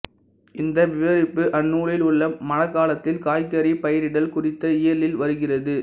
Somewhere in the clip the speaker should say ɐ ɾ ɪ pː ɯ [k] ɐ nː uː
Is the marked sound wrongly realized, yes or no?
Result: yes